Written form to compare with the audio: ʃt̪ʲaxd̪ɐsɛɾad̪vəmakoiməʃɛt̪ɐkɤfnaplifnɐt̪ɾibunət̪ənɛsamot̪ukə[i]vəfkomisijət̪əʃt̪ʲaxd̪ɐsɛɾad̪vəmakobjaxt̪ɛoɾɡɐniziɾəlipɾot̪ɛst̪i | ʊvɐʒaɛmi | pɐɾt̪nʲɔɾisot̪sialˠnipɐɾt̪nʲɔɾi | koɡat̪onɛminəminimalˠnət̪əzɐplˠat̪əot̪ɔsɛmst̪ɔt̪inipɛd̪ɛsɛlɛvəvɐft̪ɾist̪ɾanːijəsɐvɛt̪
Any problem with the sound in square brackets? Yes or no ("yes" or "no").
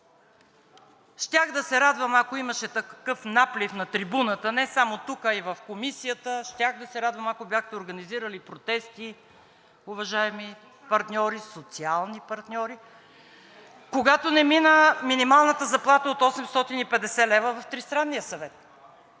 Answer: no